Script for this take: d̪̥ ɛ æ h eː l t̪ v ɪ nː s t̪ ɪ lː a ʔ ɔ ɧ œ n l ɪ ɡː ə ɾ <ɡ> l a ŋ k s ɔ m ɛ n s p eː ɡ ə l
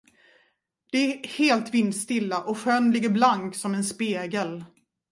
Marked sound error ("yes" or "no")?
yes